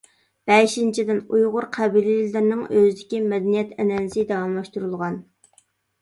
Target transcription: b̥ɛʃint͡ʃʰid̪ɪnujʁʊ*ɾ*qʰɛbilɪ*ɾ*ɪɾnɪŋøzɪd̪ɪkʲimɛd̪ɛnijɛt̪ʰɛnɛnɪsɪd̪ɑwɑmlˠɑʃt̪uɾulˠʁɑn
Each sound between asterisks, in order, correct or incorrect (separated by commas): correct, incorrect